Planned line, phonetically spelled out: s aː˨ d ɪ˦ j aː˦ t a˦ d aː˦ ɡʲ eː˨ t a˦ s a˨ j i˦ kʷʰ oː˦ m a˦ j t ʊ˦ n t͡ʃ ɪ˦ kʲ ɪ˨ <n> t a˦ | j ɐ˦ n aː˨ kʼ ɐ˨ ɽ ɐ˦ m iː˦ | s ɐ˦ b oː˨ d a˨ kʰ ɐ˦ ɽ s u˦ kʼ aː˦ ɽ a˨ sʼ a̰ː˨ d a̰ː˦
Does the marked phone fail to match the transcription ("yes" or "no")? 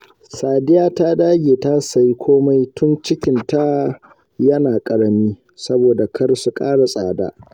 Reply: no